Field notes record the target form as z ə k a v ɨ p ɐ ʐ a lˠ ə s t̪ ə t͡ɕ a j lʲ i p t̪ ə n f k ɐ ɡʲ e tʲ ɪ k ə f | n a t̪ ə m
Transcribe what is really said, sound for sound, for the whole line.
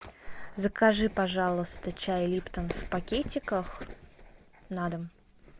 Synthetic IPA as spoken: z ə k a ʐ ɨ p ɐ ʐ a lˠ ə s t̪ ə t͡ɕ a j lʲ i p t̪ ə n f p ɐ kʲ e tʲ ɪ k ə x | n a d̪ ə m